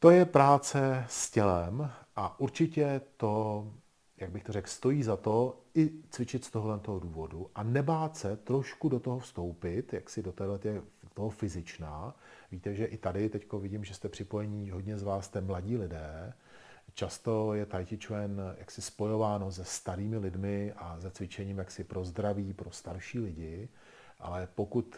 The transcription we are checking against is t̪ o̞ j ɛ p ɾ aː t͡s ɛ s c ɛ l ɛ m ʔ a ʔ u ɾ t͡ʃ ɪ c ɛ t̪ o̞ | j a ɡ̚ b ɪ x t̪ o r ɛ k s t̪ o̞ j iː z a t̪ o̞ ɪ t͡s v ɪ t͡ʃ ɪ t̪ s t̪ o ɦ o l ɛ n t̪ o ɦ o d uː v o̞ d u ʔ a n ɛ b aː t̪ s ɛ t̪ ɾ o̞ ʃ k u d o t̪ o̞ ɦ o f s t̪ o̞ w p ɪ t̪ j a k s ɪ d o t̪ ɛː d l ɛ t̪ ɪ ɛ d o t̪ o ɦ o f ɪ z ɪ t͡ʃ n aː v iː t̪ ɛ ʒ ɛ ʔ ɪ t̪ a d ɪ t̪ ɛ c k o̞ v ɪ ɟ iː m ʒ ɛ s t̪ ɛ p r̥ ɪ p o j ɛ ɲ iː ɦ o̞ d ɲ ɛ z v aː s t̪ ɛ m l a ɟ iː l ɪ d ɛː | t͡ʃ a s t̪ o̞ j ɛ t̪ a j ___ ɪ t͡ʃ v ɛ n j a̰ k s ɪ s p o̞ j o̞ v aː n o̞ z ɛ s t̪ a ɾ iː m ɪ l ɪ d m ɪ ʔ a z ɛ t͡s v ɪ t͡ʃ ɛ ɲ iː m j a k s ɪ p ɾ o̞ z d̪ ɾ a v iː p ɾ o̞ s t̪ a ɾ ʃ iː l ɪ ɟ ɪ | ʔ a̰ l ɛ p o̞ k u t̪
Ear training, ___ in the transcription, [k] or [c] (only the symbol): c